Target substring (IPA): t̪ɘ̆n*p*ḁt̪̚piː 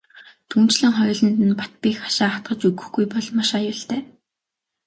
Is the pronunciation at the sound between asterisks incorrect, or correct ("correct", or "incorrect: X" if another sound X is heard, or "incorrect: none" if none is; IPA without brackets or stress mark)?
correct